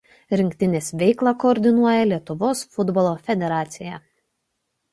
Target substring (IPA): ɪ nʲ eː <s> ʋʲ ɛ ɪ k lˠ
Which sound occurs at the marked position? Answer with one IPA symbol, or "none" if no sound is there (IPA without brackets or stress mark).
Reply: s